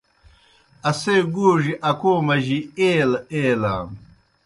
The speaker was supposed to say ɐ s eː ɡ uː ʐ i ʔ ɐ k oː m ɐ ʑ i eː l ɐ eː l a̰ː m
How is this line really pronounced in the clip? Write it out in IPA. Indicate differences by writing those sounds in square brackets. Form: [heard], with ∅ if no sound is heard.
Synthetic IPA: ɐ s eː ɡ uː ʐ i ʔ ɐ k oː m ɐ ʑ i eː l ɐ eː l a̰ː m